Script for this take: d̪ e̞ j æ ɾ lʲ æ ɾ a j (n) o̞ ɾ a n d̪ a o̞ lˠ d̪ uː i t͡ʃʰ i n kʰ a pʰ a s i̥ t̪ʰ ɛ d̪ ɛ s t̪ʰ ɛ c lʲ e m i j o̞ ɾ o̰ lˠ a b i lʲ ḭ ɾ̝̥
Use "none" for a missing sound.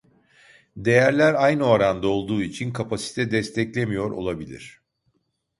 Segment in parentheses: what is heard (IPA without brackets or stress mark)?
n